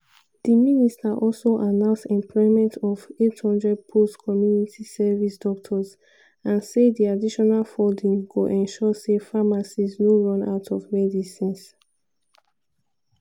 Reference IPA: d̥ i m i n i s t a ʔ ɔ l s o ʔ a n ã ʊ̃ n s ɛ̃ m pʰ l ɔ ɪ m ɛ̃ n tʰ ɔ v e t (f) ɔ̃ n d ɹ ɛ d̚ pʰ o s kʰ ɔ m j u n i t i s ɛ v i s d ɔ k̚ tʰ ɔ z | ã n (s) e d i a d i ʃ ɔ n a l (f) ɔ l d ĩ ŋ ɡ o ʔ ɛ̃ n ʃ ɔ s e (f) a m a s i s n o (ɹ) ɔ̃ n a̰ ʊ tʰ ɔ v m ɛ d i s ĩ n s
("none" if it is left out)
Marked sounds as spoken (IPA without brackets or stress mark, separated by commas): h, s, f, f, ɹ